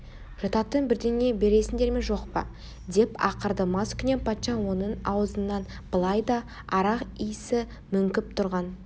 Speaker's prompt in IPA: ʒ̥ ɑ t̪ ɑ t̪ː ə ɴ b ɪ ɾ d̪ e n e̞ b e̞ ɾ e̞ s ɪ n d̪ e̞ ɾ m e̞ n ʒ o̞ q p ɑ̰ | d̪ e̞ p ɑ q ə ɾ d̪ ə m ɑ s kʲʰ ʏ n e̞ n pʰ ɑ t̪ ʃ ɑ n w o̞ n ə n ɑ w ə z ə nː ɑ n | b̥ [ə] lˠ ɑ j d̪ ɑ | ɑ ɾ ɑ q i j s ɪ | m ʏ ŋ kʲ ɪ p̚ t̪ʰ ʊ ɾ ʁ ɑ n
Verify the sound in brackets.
correct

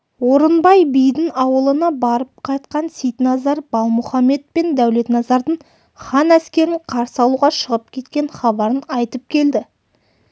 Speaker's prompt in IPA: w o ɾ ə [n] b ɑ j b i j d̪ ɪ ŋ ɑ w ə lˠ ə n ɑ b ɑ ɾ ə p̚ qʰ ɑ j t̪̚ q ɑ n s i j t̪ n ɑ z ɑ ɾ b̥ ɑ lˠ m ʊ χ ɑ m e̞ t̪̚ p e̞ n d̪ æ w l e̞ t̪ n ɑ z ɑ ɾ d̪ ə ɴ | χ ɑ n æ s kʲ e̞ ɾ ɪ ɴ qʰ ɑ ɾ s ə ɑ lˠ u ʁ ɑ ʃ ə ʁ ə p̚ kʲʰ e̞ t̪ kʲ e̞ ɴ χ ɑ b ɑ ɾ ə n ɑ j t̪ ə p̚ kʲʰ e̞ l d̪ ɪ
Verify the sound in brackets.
correct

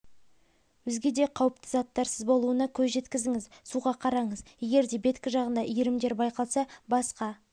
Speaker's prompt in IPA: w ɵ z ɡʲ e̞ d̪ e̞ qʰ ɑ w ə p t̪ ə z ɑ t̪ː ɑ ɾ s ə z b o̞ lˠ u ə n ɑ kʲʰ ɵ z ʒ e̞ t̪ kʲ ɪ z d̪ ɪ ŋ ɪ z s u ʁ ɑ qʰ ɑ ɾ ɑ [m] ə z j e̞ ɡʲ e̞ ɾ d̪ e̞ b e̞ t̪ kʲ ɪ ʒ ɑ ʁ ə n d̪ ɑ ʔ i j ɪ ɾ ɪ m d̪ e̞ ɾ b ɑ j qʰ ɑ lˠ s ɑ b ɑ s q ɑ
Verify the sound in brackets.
incorrect: ɴ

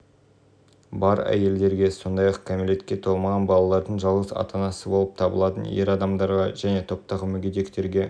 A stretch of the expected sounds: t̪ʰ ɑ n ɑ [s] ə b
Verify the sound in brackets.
correct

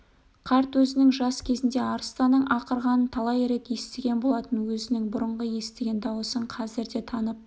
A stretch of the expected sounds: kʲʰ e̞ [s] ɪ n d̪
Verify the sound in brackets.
incorrect: z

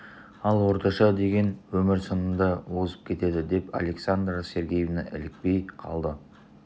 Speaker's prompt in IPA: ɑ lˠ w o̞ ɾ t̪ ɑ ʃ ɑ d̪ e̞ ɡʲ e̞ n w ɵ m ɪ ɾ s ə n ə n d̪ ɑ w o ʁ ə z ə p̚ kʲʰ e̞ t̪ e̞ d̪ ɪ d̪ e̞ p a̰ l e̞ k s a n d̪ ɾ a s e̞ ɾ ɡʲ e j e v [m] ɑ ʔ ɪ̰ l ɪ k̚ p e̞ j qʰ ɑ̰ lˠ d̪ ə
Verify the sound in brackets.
incorrect: n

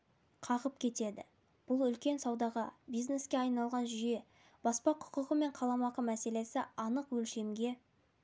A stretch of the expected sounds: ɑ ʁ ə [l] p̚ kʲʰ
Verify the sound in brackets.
incorrect: none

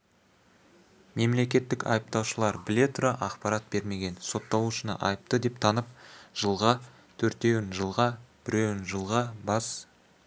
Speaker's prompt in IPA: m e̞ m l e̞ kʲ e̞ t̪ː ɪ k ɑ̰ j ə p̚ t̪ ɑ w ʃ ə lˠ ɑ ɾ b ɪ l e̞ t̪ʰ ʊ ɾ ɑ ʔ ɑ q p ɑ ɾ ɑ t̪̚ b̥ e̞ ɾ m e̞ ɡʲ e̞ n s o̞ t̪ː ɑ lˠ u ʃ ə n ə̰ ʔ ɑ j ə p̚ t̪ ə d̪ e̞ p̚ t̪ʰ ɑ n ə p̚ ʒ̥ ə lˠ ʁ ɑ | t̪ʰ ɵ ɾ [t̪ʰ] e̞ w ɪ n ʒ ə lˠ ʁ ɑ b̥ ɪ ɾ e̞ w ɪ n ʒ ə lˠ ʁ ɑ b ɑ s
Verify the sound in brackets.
incorrect: t̪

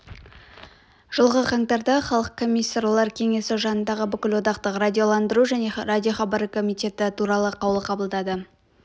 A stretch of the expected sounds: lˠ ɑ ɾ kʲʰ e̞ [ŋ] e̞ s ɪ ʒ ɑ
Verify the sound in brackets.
correct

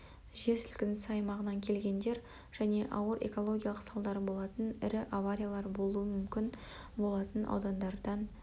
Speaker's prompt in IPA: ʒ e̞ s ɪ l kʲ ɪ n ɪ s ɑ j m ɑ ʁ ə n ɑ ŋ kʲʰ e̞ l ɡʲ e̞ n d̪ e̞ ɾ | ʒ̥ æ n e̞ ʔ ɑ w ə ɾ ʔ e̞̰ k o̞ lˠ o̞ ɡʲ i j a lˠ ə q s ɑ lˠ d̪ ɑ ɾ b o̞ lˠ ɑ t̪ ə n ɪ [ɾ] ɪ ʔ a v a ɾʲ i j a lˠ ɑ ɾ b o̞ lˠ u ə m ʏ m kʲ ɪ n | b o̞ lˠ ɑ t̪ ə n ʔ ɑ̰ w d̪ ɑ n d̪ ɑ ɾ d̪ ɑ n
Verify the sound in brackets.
correct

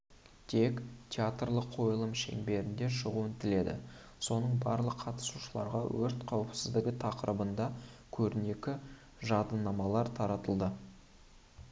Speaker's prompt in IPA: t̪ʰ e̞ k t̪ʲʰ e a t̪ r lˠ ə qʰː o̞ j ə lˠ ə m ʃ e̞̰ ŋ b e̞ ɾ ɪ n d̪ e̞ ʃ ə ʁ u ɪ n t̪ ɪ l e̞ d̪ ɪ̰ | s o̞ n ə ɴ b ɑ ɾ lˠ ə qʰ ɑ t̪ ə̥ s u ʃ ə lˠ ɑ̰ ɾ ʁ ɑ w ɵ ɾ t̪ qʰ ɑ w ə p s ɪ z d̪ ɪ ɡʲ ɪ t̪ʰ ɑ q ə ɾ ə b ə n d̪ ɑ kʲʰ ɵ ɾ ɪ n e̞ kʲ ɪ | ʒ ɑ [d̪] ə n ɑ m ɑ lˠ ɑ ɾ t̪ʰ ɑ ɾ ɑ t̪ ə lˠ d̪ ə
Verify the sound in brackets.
correct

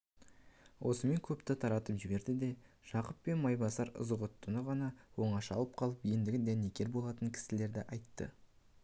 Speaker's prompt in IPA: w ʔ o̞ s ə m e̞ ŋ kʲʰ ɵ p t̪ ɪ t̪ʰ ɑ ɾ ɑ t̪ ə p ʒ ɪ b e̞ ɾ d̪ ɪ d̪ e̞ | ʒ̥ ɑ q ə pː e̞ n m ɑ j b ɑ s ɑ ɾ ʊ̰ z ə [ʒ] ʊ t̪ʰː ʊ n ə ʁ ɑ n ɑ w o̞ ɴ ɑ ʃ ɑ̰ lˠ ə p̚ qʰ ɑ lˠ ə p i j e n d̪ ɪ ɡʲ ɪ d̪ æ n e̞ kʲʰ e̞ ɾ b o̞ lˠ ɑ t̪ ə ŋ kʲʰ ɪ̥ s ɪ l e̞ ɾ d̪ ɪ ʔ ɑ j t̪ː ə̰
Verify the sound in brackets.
incorrect: ʁ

